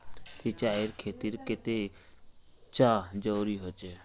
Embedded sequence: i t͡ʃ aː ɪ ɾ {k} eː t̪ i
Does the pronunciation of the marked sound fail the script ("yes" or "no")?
yes